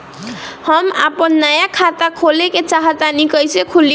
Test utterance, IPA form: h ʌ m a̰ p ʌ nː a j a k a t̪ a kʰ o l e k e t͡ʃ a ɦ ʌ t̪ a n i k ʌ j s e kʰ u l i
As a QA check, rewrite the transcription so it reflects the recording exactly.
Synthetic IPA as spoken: h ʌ m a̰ p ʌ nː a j a kʰ a t̪ a kʰ o l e k e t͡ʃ a ɦ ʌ t̪ a n i k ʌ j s e kʰ u l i